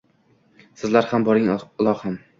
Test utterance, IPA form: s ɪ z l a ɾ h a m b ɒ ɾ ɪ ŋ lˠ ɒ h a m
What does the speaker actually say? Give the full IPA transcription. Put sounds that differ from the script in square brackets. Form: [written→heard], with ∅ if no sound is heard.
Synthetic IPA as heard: s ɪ z l a ɾ h a m b ɒ ɾ ɪ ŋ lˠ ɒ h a m